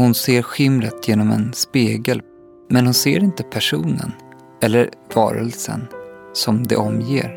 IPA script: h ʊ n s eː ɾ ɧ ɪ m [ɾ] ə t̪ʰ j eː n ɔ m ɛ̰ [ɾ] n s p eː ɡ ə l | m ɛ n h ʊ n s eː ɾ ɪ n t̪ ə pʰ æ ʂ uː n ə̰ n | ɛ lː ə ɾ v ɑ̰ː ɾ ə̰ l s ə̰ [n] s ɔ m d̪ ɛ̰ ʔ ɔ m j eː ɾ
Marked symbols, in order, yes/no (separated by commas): yes, no, yes